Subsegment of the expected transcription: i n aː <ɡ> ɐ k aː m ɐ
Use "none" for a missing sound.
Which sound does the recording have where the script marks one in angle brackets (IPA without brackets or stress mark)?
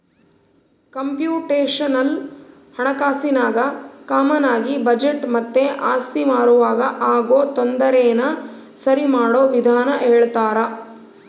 ɡ